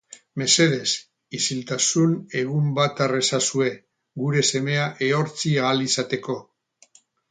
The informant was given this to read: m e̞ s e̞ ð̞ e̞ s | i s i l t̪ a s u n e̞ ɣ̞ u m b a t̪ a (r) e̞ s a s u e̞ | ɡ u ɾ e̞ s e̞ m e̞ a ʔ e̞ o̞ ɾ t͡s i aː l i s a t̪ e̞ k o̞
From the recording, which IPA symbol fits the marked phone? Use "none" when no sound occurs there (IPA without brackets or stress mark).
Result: r